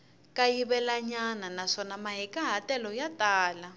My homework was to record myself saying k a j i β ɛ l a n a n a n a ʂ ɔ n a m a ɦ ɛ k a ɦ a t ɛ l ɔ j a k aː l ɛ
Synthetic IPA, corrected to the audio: k a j i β ɛ l a ɲ a n a n a ʂ ɔ n a m a ɦ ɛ k a ɦ a t ɛ l ɔ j a t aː l a

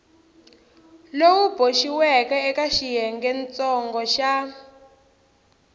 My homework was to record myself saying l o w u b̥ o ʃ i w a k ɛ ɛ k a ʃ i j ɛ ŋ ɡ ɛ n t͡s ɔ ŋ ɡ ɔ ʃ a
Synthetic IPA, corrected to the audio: l o w u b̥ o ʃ i w ɛ k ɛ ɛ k a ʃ i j ɛ ŋ ɡ ɛ n t͡s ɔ ŋ ɡ ɔ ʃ a

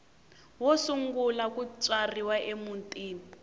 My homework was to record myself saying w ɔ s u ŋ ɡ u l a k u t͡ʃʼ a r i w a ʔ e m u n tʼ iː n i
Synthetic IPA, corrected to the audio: w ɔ s u ŋ ɡ u l a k u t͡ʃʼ a r i w a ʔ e m u n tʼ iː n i

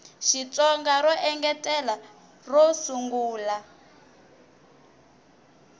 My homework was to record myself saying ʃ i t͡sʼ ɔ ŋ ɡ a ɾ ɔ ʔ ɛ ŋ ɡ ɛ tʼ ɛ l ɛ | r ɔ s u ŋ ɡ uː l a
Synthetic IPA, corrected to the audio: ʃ i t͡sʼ ɔ ŋ ɡ a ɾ ɔ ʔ ɛ ŋ ɡ ɛ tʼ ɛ l a | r ɔ s u ŋ ɡ uː l a

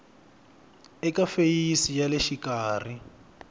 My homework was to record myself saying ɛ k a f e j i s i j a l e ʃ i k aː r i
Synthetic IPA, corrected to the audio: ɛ k a f e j i s i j a l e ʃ i k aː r i

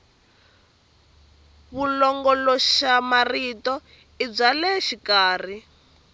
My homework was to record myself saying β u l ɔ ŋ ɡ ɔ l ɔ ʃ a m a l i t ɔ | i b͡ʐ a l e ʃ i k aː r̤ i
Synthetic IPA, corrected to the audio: β u l ɔ ŋ ɡ ɔ l ɔ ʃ a m a r i t ɔ | i b͡ʐ a l ɛ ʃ i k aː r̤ i

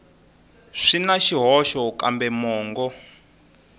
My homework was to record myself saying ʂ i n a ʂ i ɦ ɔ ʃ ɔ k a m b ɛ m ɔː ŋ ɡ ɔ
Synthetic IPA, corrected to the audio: ʂ i n a ʃ i ɦ ɔ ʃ ɔ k a m b ɛ m ɔː ŋ ɡ ɔ

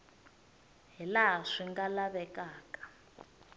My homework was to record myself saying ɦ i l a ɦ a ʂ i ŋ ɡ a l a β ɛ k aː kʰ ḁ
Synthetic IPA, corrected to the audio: ɦ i l a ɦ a ʂ i ŋ ɡ a l a β ɛ k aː k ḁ

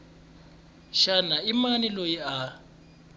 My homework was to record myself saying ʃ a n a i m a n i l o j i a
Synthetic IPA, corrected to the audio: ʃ a n a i m a n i l o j i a

